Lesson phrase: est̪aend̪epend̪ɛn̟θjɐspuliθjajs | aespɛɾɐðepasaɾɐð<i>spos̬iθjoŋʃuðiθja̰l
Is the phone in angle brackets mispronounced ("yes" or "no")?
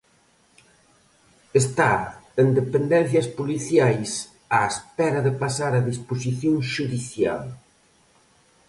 no